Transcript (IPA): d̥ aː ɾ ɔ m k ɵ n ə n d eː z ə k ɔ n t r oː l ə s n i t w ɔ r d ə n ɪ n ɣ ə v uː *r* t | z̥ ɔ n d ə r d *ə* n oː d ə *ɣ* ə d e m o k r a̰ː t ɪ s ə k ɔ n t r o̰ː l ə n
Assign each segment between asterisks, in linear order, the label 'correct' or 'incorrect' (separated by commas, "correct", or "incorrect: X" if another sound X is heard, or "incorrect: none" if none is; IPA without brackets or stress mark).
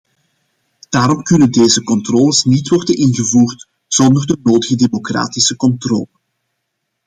correct, correct, correct